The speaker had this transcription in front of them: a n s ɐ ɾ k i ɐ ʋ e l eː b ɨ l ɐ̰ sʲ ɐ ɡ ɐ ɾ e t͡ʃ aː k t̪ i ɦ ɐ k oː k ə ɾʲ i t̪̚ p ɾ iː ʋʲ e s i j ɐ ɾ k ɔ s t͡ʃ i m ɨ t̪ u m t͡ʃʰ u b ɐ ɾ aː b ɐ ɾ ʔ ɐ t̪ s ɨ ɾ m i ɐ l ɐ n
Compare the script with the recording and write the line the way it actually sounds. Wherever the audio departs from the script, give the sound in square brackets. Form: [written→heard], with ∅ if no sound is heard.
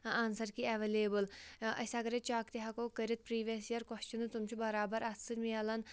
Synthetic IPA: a n s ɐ ɾ k i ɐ ʋ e l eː b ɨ l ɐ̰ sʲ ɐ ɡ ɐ ɾ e t͡ʃ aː k t̪ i ɦ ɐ k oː k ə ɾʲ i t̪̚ p ɾ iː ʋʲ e s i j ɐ ɾ k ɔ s t͡ʃ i [m→n] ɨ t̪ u m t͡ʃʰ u b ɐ ɾ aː b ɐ ɾ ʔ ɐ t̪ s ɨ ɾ m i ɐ l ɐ n